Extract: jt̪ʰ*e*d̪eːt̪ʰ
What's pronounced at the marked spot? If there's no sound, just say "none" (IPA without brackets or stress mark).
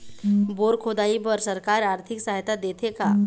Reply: a